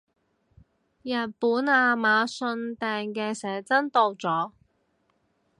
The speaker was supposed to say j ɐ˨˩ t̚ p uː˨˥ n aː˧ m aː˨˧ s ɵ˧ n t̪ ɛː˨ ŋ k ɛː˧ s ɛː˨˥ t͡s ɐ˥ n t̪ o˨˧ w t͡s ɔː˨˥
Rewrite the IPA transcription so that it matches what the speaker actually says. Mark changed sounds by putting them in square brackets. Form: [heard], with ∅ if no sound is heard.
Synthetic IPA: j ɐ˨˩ t̚ p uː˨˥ n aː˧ m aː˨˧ s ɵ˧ n t̪ ɛː˨ ŋ k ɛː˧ s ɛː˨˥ t͡s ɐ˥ n t̪ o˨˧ w t͡s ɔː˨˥